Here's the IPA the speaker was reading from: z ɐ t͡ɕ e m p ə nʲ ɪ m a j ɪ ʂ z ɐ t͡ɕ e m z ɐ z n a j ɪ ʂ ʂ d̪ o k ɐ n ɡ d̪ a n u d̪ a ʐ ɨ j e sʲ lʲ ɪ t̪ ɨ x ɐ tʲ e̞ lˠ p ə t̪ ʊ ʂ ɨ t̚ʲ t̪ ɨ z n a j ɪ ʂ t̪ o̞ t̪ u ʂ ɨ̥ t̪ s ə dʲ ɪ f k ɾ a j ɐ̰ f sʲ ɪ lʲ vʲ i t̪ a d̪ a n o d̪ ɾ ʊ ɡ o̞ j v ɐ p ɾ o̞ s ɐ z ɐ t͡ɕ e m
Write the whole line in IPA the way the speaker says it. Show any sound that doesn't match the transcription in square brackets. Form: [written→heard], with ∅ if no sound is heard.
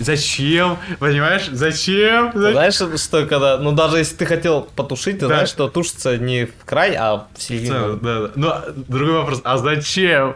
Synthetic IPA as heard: z ɐ t͡ɕ e m p ə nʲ ɪ m a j ɪ ʂ z ɐ t͡ɕ e m z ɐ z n a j ɪ ʂ ʂ [d̪→t̪] o k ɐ [n→∅] ɡ d̪ a n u d̪ a ʐ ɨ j e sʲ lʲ ɪ t̪ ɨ x ɐ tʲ e̞ lˠ p ə t̪ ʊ ʂ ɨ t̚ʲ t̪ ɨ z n a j ɪ ʂ t̪ o̞ t̪ u ʂ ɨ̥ t̪ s ə [dʲ→nʲ] ɪ f k ɾ a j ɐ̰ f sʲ ɪ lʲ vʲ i [t̪→d̪] a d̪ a n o d̪ ɾ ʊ ɡ o̞ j v ɐ p ɾ o̞ s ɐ z ɐ t͡ɕ e m